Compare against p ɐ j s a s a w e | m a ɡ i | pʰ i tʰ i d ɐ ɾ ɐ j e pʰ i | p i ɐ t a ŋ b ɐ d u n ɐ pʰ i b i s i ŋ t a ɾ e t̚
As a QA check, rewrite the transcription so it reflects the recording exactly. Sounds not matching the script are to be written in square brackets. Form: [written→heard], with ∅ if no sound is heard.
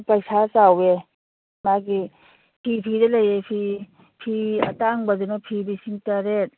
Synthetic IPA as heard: p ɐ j s a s a w e | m a ɡ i | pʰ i [tʰ→pʰ] i d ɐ [ɾ→l] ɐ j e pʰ i | [p→pʰ] i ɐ t a ŋ b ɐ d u n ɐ pʰ i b i s i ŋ t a ɾ e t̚